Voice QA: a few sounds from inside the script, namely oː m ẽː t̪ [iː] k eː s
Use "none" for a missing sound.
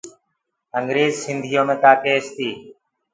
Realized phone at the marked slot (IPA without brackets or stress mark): aː